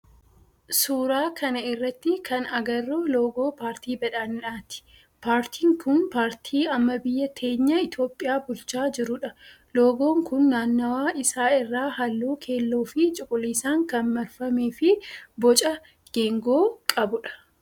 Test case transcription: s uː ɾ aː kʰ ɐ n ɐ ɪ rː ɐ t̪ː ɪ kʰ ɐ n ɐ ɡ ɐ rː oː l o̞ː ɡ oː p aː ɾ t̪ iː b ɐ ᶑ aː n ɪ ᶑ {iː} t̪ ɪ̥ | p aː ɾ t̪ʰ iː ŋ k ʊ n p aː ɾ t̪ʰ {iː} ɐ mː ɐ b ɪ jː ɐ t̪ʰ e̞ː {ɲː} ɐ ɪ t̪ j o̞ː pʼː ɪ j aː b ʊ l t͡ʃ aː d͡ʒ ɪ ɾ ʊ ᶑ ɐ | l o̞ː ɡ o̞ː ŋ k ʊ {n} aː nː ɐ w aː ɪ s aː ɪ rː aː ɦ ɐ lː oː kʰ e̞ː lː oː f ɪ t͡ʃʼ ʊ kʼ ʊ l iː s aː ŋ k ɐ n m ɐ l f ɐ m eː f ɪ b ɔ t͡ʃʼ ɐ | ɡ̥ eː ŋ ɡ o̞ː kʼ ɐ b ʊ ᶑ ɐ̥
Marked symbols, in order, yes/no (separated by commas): no, yes, yes, no